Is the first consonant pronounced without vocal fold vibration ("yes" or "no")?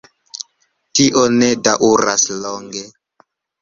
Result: yes